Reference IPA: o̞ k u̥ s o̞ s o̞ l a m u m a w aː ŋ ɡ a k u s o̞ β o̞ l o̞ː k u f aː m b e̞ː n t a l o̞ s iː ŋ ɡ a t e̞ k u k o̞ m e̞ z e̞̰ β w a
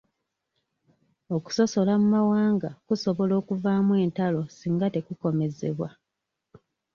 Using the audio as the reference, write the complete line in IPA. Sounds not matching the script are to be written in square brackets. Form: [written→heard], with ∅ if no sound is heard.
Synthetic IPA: o̞ k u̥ s o̞ s o̞ l a m u m a w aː ŋ ɡ a k u s o̞ β o̞ l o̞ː k u [f→v] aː m [b→w] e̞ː n t a l o̞ s iː ŋ ɡ a t e̞ k u k o̞ m e̞ z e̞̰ β w a